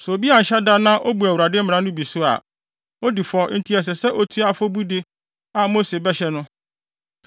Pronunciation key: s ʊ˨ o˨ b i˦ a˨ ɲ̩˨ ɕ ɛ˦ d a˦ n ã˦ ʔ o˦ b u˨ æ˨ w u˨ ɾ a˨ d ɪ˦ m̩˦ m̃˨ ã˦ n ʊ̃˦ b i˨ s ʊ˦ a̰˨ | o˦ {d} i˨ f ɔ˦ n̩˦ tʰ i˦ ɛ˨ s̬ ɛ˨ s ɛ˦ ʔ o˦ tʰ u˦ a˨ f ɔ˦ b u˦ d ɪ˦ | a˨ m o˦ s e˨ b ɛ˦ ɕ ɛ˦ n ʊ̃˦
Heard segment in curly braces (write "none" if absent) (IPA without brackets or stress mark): d